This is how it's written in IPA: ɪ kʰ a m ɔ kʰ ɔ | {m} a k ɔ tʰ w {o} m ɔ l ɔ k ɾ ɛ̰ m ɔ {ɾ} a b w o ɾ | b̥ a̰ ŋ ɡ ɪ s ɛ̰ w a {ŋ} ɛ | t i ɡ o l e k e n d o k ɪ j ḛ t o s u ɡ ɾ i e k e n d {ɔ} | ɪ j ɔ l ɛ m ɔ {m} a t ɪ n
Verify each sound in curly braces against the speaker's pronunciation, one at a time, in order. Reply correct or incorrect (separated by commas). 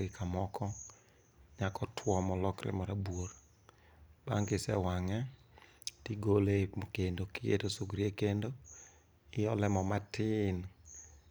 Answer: incorrect, incorrect, correct, correct, incorrect, correct